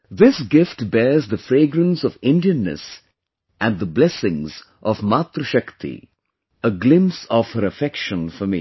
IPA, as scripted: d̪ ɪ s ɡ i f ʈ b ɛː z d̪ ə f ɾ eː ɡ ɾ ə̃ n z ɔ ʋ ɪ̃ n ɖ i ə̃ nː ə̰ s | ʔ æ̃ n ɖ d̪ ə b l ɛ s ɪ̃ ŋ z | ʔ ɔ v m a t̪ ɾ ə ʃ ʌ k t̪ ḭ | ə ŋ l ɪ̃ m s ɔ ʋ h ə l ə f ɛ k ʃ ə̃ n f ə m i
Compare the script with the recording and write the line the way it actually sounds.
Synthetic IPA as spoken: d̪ ɪ s ɡ ɪ f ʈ b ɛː z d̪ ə f ɾ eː ɡ ɾ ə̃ n s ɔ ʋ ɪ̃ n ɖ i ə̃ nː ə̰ s | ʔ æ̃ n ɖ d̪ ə b l ɛ s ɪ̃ ŋ z | ʔ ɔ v m a t̪ ɾ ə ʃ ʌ k t̪ ḭ | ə ɡ l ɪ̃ m s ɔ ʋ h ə ɾ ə f ɛ k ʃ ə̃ n f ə m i